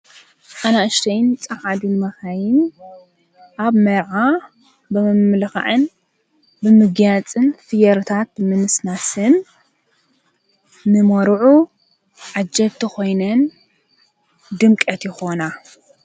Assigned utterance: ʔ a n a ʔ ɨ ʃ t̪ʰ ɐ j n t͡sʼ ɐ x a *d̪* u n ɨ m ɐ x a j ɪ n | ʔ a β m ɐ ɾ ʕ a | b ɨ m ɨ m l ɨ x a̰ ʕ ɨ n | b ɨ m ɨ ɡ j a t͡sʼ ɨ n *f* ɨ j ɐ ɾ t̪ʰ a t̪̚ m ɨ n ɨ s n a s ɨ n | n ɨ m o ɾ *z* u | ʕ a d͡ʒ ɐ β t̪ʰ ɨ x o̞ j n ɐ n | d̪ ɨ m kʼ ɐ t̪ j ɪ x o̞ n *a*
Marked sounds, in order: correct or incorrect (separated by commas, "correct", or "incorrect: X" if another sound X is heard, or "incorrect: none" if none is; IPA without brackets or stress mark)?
correct, correct, incorrect: ʕ, correct